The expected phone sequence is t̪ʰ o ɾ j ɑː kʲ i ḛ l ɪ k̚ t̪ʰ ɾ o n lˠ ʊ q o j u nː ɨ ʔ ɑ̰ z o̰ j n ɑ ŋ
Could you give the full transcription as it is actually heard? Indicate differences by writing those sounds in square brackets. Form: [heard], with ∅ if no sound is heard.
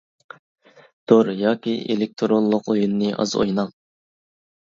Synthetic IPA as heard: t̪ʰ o ɾ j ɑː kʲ i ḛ l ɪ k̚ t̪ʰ ɾ o n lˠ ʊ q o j u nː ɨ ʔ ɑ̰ z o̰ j n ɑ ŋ